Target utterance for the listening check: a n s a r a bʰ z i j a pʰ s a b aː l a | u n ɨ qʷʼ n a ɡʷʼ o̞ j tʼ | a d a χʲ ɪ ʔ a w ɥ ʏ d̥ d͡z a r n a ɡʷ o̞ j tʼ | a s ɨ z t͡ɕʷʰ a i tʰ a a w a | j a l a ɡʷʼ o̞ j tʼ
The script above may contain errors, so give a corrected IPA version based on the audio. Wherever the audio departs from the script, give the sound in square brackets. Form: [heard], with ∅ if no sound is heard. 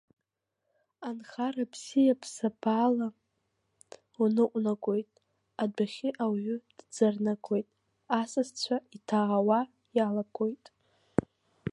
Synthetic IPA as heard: a n [χ] a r a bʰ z i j a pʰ s a b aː l a | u n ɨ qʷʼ n a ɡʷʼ o̞ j tʼ | a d a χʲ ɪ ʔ a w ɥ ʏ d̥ d͡z a r n a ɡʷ o̞ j tʼ | a s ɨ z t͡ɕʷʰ a i tʰ a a w a | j a l a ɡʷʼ o̞ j tʼ